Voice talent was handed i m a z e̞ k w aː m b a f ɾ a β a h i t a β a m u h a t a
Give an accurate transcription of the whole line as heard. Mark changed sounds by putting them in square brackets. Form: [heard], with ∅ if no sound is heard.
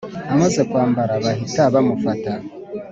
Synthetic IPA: [a] m a z e̞ k w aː m b a [∅] ɾ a β a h i t a β a m u [f] a t a